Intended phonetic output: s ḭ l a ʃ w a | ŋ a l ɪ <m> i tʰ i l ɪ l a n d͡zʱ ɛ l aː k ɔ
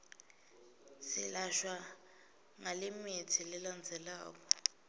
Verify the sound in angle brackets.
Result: correct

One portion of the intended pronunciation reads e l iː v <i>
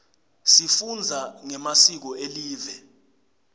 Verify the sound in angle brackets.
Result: incorrect: ɛ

